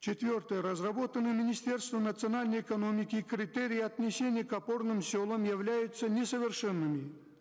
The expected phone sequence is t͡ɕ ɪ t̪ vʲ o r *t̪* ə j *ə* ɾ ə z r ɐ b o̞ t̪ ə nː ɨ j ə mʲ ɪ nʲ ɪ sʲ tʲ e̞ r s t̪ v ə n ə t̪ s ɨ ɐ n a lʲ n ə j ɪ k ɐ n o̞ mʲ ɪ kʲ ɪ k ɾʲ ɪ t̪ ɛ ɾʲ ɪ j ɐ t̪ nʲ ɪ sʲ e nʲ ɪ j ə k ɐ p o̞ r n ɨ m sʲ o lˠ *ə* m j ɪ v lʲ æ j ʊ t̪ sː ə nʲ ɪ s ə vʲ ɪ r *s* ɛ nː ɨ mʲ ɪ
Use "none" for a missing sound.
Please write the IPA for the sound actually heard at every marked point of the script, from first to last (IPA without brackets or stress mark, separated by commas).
t̪, ə, ə, ʂ